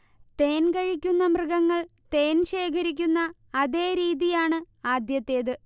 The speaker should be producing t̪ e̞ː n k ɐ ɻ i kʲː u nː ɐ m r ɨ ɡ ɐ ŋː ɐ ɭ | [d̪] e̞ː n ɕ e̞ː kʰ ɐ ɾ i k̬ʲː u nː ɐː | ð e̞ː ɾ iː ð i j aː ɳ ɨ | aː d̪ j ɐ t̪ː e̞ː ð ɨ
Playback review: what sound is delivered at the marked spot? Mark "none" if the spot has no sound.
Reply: t̪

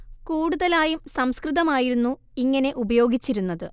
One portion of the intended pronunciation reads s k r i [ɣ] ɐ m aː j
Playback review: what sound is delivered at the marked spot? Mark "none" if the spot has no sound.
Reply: ð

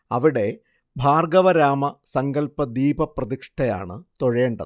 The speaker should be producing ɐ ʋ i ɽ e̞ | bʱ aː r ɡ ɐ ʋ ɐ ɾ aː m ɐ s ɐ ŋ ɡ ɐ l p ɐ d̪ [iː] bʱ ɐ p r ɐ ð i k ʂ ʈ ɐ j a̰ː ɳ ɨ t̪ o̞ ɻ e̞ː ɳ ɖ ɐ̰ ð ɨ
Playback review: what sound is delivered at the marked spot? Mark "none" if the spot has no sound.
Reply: iː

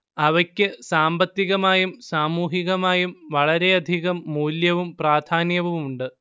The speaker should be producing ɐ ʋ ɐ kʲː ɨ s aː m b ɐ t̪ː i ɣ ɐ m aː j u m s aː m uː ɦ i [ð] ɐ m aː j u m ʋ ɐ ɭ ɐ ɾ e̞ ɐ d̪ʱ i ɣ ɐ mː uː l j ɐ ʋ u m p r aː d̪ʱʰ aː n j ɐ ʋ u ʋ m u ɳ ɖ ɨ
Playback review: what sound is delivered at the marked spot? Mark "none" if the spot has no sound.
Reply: ɣ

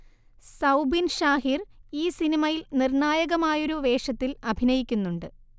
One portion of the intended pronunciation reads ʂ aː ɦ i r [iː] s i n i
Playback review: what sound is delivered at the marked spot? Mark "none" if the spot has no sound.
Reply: iː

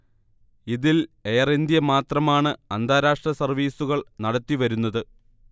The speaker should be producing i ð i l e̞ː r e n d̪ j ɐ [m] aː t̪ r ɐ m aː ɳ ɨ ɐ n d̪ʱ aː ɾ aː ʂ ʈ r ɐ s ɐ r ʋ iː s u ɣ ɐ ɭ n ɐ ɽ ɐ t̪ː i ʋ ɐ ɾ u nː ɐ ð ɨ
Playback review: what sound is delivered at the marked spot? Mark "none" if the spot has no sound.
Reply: m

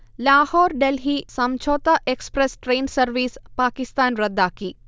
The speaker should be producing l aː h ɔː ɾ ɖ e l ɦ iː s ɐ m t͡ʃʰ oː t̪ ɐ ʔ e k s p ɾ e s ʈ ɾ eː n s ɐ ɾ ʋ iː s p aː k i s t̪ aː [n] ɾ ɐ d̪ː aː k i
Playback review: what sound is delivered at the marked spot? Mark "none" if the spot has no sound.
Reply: n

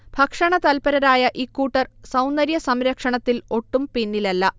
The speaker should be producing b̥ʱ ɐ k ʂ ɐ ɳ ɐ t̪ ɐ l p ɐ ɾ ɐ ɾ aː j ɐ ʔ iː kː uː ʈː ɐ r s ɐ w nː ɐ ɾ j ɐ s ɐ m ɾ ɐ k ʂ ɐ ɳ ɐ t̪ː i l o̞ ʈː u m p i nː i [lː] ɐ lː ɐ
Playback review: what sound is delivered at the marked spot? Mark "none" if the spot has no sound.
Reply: l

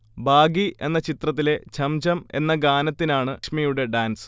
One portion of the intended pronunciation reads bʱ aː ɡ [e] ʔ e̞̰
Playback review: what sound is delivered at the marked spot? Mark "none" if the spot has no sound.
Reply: i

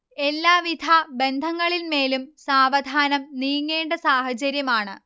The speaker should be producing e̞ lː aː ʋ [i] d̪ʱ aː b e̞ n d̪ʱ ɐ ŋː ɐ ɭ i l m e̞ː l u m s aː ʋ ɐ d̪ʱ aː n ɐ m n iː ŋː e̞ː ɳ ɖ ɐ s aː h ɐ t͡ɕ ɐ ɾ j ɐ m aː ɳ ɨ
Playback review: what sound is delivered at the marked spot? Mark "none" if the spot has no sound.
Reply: i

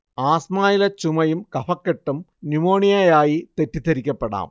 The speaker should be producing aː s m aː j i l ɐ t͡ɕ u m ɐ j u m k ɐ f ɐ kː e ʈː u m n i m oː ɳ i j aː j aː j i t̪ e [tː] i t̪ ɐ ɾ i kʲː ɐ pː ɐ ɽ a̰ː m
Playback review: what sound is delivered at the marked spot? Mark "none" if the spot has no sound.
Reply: tː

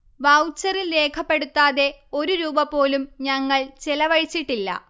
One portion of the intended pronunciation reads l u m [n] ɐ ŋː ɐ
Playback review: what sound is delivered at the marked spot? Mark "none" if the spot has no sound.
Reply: ɲ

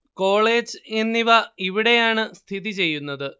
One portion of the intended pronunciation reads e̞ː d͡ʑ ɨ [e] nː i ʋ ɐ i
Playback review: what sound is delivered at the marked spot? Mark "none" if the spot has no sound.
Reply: e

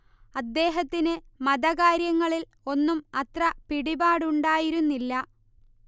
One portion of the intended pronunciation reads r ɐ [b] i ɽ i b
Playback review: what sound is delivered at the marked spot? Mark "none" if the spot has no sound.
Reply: p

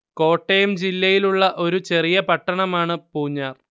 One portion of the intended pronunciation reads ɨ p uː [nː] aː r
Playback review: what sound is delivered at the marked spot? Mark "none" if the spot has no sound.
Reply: ɲː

